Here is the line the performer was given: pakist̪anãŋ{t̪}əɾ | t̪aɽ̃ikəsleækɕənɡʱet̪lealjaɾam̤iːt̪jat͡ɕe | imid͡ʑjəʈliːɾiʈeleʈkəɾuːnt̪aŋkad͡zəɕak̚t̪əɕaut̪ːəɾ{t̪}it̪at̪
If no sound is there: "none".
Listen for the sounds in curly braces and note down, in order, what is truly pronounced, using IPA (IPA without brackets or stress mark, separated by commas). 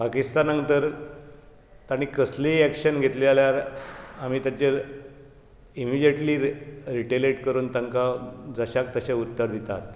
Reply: t̪, d̪